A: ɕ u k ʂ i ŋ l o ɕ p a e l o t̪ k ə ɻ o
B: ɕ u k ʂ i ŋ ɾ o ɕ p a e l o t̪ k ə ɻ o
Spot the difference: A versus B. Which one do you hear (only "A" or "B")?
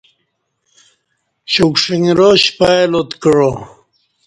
B